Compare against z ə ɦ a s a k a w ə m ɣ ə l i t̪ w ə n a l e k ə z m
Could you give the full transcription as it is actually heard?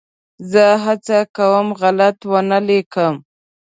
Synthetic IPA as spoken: z ə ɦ a t͡s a k a w ə m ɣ a l a t̪ w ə n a l e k ə m